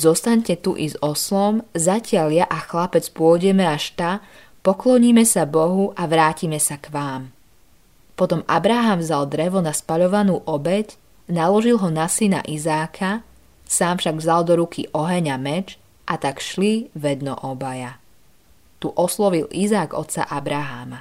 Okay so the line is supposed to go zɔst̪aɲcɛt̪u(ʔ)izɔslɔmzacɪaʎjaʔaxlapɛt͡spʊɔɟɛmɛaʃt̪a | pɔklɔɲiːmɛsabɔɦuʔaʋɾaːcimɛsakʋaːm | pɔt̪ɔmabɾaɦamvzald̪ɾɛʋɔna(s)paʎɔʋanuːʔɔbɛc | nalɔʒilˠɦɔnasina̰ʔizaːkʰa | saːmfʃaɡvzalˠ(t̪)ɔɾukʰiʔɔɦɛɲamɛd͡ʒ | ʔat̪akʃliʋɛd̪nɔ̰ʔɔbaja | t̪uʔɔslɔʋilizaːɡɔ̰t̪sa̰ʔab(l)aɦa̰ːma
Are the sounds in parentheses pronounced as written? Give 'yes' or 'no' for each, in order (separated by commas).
yes, yes, no, no